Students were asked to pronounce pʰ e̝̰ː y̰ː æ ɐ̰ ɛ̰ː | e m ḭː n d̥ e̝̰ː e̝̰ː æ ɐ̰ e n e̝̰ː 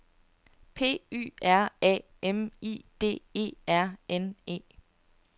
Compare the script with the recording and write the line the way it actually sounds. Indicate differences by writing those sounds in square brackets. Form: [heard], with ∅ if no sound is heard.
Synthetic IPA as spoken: pʰ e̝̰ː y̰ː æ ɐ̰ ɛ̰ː | e m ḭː [∅] d̥ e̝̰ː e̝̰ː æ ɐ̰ e n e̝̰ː